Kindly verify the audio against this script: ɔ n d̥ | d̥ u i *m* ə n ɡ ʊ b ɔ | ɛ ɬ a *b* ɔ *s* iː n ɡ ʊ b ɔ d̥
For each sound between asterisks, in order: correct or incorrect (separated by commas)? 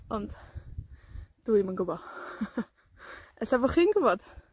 correct, incorrect, incorrect